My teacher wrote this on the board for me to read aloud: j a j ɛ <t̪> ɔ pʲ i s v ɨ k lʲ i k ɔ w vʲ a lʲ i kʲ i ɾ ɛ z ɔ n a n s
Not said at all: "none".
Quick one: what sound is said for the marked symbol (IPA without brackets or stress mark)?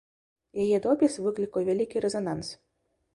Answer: d̪